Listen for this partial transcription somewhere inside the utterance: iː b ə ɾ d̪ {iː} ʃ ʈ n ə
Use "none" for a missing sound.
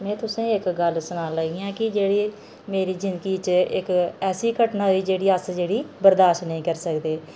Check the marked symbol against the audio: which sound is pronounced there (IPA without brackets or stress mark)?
aː